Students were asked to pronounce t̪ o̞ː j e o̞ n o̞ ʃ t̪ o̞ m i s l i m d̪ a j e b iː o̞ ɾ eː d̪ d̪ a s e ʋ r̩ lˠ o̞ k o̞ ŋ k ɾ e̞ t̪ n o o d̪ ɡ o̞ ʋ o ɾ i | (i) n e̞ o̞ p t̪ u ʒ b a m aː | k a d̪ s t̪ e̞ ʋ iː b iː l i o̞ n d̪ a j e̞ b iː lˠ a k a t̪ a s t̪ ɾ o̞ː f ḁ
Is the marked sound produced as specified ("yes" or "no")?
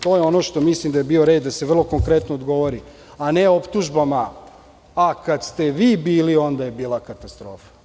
no